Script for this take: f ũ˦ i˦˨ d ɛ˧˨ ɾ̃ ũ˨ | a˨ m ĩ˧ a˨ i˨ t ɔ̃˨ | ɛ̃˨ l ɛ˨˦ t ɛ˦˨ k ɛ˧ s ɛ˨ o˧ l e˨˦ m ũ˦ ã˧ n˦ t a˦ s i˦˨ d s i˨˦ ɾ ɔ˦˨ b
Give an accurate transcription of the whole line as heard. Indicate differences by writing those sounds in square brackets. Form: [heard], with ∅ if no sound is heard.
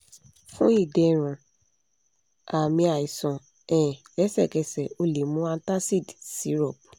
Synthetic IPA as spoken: f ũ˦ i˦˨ d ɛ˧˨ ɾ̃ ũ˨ | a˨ m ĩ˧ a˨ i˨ [s] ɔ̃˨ | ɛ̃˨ l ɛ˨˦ [s] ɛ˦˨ k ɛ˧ s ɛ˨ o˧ l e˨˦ m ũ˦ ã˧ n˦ t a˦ s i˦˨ d s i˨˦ ɾ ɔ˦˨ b